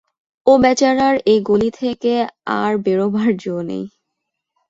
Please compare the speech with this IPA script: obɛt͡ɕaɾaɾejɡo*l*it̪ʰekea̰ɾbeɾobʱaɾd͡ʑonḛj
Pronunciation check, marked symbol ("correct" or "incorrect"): correct